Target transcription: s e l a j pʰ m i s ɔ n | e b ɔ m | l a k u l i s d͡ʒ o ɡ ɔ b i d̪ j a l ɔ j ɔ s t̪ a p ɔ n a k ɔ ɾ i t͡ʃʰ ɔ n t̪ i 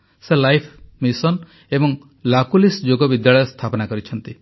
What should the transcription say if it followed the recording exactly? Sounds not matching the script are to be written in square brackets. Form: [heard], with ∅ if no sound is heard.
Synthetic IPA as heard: s e l a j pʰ m i s ɔ n | e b ɔ [ŋ] | l a k u l i s d͡ʒ o ɡ ɔ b i d̪ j a [ɭ] ɔ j ɔ s [t̪ʰ] a p ɔ n a k ɔ ɾ i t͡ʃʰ ɔ n t̪ i